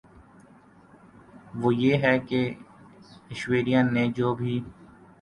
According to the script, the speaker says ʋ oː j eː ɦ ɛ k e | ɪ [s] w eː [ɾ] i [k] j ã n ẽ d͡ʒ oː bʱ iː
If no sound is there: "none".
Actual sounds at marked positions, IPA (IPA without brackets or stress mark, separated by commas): ʃ, ɾ, none